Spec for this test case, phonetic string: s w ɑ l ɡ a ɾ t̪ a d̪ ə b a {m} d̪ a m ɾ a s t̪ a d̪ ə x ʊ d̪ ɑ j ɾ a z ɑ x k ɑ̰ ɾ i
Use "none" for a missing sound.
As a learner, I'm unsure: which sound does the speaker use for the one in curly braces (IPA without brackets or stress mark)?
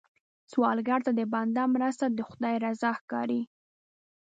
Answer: n